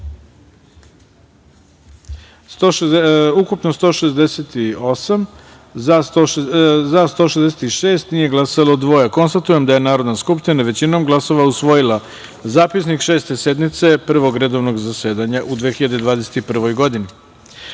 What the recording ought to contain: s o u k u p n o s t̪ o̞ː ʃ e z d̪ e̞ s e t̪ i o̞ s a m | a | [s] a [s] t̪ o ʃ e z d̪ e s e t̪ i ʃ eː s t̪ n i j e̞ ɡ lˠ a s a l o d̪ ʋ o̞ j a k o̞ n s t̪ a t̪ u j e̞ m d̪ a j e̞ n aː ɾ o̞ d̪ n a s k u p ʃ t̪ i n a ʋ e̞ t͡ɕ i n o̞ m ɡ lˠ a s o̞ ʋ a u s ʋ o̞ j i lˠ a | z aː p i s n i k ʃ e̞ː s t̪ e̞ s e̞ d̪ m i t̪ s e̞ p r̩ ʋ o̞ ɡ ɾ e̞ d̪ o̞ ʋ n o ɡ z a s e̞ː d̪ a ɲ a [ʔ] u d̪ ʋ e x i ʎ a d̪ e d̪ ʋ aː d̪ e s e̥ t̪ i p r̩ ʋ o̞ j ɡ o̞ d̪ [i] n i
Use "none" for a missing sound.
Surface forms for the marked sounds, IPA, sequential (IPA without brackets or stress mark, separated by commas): z, s, ʔ, i